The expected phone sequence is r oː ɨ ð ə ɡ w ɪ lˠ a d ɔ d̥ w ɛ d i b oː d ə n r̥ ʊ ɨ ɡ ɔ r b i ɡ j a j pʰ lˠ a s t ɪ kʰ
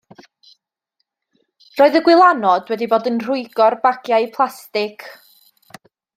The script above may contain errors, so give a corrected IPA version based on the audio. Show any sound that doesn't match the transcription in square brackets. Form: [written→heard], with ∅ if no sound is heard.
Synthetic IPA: r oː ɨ ð ə ɡ w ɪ lˠ a [d→n] ɔ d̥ w ɛ d i b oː d ə n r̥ ʊ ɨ ɡ ɔ r b [i→a] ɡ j a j pʰ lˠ a s t ɪ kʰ